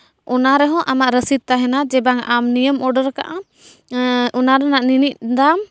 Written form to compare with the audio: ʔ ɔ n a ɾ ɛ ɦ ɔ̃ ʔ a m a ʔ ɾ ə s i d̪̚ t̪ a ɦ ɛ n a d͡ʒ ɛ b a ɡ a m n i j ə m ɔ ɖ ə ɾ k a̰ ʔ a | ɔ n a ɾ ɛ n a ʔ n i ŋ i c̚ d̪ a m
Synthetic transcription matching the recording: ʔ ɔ n a ɾ ɛ ɦ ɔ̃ ʔ a m a ʔ ɾ ə s i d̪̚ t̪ a ɦ ɛ n a d͡ʒ ɛ b a ŋ a m n i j ə m ɔ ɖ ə ɾ k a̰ ʔ a | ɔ n a ɾ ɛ n a ʔ n i n i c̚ d̪ a m